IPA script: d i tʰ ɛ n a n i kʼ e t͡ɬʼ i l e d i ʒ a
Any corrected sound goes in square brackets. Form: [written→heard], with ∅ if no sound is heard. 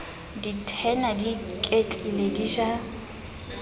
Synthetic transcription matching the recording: d i tʰ ɛ n a [n→d] i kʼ e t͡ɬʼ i l e d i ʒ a